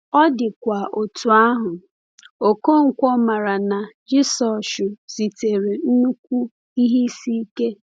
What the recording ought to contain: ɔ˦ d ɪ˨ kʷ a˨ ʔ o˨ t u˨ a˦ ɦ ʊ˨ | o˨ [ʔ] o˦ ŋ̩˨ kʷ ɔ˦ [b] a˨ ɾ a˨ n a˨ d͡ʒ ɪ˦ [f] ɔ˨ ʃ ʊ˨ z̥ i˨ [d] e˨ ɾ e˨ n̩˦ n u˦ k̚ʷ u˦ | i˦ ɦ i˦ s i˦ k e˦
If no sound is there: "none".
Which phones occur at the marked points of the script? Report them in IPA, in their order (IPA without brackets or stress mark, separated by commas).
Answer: k, m, s, t